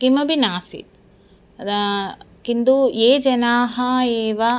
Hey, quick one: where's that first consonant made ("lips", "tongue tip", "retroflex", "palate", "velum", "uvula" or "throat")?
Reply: velum